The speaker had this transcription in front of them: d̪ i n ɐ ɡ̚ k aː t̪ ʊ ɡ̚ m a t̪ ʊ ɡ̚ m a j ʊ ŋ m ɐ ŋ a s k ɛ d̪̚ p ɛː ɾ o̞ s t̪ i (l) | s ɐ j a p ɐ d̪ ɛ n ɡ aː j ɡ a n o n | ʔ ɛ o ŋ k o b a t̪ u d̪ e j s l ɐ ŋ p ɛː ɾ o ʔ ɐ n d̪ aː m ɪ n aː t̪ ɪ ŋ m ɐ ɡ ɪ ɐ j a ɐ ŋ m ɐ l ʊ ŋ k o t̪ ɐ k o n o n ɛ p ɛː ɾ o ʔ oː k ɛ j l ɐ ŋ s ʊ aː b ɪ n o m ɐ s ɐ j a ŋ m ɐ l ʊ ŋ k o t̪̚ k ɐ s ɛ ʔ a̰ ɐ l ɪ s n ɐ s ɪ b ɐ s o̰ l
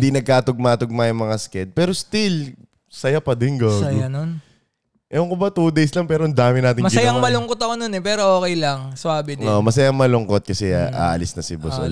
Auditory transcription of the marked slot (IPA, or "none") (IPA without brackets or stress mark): l